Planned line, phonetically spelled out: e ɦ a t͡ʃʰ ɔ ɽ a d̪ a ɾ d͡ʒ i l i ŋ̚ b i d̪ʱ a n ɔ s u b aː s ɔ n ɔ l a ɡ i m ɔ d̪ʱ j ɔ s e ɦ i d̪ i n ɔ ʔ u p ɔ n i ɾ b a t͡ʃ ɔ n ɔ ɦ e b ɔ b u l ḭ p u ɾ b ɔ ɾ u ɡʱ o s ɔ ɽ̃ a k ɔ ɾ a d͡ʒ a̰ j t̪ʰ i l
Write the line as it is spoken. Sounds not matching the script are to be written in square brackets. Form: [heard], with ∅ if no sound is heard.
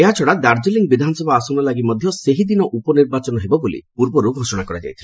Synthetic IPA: e ɦ a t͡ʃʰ ɔ ɽ a d̪ a ɾ d͡ʒ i l i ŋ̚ b i d̪ʱ a n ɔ s [ɔ] b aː s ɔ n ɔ l a ɡ i m ɔ d̪ʱ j ɔ s e ɦ i d̪ i n ɔ ʔ u p ɔ n i ɾ b a t͡ʃ ɔ n ɔ ɦ e b ɔ b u l ḭ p u ɾ b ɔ ɾ u ɡʱ o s ɔ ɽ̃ a k ɔ ɾ a d͡ʒ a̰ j t̪ʰ i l